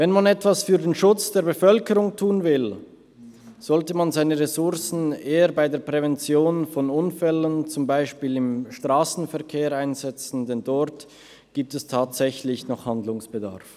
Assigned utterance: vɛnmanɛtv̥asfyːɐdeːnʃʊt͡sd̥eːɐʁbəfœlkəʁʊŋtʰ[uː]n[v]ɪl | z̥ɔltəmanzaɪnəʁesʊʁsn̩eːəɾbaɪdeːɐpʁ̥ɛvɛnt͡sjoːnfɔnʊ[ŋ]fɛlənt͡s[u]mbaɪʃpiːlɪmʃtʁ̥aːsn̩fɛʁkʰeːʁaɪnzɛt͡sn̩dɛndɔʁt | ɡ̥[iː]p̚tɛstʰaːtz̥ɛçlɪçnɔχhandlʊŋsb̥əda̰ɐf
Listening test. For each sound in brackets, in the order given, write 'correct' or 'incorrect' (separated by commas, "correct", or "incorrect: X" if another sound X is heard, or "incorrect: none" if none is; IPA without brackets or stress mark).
correct, correct, incorrect: n, incorrect: ʊ, correct